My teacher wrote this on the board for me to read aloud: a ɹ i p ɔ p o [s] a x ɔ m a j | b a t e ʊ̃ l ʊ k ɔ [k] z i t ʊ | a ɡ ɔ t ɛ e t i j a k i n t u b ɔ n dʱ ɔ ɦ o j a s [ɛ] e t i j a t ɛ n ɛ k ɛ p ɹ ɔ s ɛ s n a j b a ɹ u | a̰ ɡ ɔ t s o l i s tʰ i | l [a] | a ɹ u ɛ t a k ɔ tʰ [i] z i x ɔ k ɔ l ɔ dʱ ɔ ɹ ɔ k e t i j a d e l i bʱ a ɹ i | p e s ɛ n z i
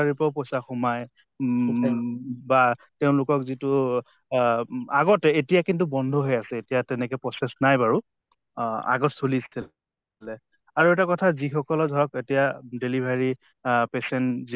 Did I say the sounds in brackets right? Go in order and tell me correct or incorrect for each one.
correct, correct, correct, incorrect: ɛ, incorrect: a

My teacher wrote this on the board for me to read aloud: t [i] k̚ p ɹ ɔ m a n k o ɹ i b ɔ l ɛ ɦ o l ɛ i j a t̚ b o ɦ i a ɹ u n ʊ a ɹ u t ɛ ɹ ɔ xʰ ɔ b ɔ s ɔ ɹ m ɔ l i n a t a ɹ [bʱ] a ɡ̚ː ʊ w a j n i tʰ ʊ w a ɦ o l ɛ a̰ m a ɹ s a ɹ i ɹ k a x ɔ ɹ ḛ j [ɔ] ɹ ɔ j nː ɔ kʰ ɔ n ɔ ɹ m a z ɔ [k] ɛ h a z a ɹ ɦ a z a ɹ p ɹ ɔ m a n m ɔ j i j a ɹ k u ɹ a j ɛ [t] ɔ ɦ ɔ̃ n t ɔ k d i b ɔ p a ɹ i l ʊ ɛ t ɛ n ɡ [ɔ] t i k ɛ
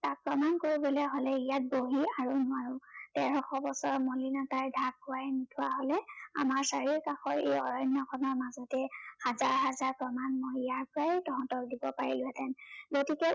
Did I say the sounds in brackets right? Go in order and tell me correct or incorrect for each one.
incorrect: a, incorrect: dʱ, correct, incorrect: t, correct, incorrect: o

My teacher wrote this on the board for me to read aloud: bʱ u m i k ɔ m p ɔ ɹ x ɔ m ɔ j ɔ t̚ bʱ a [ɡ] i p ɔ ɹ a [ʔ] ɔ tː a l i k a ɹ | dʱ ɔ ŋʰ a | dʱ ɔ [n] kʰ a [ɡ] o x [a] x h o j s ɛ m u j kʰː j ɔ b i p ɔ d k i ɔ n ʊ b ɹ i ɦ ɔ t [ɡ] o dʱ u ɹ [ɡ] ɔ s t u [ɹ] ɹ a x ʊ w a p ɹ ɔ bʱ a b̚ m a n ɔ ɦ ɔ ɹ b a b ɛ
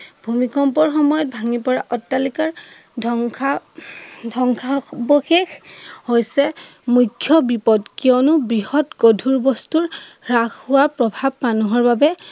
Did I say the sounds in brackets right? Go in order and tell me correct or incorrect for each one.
incorrect: ŋ, correct, incorrect: ŋ, incorrect: b, incorrect: e, correct, incorrect: b, correct

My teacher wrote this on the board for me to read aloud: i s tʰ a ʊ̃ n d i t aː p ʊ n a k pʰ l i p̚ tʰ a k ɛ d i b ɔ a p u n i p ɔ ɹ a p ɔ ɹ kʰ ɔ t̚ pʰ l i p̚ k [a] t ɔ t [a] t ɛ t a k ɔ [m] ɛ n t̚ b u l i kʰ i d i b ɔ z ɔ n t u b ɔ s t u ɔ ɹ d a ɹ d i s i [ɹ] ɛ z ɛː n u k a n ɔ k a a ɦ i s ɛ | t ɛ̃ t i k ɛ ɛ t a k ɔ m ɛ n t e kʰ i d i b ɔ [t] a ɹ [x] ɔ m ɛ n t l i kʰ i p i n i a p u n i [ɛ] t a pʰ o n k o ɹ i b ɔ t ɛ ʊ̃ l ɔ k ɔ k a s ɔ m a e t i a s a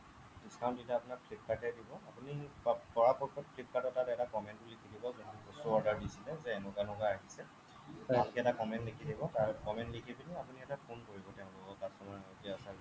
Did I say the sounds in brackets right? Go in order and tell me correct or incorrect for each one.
correct, correct, correct, incorrect: l, correct, incorrect: k, correct

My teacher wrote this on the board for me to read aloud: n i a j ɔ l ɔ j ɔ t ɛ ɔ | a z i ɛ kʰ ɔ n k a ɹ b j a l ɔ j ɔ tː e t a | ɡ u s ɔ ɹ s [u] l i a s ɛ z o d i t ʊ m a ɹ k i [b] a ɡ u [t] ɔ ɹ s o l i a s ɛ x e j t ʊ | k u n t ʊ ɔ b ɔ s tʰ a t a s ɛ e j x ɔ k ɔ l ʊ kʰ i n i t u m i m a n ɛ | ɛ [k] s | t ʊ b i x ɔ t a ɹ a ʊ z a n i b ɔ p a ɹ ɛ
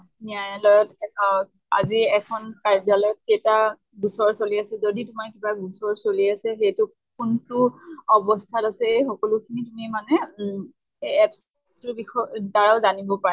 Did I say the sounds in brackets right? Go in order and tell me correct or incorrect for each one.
incorrect: o, correct, incorrect: s, incorrect: p

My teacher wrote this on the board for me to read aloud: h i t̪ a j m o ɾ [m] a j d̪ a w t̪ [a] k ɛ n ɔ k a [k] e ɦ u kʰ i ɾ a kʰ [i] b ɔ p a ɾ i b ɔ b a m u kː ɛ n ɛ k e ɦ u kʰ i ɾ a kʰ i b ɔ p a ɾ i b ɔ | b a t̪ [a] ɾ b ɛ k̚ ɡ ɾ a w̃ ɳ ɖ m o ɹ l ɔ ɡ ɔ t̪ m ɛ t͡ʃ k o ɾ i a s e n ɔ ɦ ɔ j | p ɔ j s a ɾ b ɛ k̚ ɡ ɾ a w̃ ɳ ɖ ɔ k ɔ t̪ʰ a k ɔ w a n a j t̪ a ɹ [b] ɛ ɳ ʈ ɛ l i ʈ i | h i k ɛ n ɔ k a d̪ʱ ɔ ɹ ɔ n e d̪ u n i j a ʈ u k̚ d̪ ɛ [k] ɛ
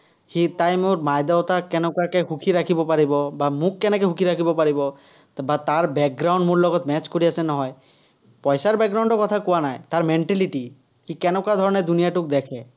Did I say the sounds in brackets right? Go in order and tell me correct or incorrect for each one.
correct, correct, correct, correct, correct, incorrect: m, incorrect: kʰ

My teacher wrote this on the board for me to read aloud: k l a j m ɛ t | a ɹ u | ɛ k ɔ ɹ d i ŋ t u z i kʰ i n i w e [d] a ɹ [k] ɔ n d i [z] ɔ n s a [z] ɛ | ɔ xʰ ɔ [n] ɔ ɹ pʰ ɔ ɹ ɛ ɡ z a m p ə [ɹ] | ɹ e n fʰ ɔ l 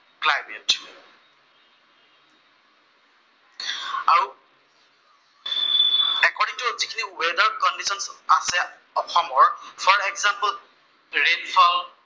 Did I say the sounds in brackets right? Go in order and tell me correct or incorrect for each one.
correct, correct, incorrect: s, incorrect: s, incorrect: m, incorrect: l

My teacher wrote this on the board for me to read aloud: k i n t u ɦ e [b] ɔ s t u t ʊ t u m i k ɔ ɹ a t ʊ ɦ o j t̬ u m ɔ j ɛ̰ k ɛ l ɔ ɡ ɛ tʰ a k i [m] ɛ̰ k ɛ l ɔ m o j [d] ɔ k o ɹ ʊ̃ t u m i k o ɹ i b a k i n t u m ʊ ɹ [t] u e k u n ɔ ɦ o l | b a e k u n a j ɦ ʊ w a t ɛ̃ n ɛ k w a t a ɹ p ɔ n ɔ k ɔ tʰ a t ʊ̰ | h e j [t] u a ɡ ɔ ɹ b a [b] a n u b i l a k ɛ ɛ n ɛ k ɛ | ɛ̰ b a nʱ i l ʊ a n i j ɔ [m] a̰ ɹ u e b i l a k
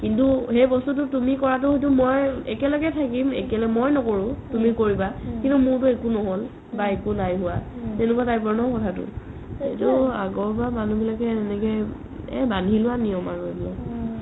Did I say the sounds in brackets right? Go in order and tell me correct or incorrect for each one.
correct, correct, incorrect: n, correct, correct, incorrect: m, correct

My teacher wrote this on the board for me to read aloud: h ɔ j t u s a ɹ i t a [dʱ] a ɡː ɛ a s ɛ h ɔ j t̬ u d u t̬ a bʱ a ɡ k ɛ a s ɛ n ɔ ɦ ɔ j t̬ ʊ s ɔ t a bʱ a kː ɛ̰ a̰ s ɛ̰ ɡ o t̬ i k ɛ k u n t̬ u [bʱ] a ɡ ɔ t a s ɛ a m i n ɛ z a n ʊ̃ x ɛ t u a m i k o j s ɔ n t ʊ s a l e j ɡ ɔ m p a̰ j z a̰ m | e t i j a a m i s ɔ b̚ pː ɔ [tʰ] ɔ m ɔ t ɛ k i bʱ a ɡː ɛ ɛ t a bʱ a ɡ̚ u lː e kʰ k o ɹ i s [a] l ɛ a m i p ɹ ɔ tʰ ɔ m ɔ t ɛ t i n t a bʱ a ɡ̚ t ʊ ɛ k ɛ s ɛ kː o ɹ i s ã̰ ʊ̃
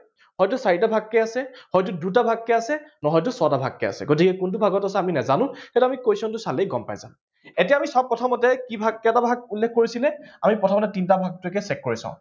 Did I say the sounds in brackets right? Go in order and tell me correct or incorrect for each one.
incorrect: bʱ, correct, correct, incorrect: i

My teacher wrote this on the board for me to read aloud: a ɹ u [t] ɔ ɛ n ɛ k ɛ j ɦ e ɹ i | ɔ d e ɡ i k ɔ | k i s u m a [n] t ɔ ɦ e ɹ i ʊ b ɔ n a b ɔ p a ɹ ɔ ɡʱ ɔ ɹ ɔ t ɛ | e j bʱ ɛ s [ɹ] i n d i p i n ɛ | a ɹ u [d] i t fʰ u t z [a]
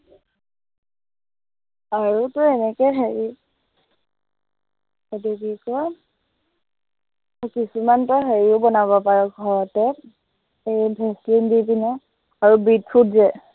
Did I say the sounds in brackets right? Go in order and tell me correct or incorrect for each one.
correct, correct, incorrect: l, incorrect: b, incorrect: ɛ

